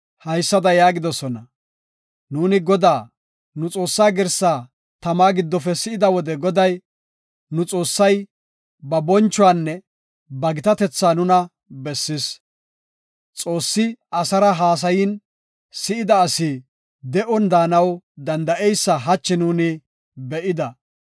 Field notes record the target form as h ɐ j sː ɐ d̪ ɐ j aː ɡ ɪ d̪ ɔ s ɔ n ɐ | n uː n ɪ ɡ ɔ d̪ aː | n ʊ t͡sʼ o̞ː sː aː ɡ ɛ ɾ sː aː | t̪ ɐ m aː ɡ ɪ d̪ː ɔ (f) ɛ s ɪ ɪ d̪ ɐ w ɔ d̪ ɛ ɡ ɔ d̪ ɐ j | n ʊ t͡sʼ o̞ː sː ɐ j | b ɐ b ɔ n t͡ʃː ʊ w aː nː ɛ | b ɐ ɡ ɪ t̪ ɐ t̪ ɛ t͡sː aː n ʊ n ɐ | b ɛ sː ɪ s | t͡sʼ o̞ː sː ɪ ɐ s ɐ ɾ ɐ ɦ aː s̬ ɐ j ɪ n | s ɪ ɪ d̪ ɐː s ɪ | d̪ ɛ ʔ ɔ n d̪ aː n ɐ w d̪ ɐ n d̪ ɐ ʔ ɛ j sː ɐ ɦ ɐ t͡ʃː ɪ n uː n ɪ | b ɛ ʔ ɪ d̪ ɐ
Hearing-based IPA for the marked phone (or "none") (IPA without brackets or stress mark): f